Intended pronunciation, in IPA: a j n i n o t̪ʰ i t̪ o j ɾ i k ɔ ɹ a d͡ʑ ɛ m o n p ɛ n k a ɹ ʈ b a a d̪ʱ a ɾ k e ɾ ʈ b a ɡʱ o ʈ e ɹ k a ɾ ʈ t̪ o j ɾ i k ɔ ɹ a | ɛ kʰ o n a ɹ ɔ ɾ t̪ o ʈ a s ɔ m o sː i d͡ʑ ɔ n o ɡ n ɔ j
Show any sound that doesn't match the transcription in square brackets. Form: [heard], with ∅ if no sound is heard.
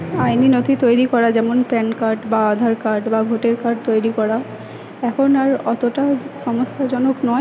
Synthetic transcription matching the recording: a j n i n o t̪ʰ i t̪ o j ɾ i k ɔ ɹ a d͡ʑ ɛ m o n p ɛ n k a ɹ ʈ b a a d̪ʱ a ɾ k [a] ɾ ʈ b a ɡʱ o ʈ e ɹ k a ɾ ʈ t̪ o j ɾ i k ɔ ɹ a | ɛ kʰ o n a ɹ ɔ [∅] t̪ o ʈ a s ɔ m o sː [a] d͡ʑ ɔ n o [k] n ɔ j